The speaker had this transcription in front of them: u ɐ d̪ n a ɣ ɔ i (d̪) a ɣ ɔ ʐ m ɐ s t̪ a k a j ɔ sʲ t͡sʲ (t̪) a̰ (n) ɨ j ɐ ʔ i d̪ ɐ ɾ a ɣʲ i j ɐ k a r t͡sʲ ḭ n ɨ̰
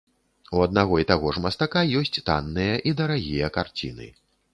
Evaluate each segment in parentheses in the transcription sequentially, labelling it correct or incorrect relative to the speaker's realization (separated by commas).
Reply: incorrect, correct, incorrect